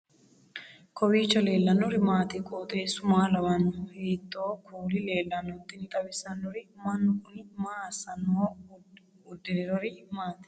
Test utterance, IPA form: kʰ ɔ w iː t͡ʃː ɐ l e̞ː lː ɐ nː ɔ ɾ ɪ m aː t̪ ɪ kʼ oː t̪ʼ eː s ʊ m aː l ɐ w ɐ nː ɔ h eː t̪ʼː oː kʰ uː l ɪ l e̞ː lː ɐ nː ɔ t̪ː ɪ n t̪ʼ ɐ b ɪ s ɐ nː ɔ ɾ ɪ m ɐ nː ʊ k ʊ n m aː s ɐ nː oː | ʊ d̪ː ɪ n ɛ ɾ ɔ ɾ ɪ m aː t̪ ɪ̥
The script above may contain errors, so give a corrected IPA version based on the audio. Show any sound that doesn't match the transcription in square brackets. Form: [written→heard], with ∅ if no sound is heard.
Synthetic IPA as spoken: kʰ ɔ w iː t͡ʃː ɐ l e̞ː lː ɐ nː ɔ ɾ ɪ m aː t̪ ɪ kʼ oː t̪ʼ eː s ʊ m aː l ɐ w ɐ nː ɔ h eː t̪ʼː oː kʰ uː l ɪ l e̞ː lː ɐ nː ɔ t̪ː ɪ n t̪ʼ ɐ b ɪ s ɐ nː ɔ ɾ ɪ m ɐ nː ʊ k ʊ n m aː s ɐ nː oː | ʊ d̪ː ɪ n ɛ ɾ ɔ ɾ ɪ m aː t̪ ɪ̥